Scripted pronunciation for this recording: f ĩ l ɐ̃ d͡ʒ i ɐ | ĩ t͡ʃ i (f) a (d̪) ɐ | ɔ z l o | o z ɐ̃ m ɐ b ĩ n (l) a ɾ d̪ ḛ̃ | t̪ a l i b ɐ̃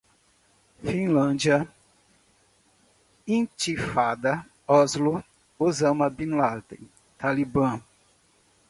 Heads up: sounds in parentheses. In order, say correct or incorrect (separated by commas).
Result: correct, correct, correct